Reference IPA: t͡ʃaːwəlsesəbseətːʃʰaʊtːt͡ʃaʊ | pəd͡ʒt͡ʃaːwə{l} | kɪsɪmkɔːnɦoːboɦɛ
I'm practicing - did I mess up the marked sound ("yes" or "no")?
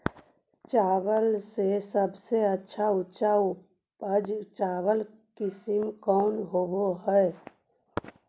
no